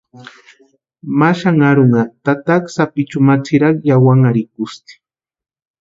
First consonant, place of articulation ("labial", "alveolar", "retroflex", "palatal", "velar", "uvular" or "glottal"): labial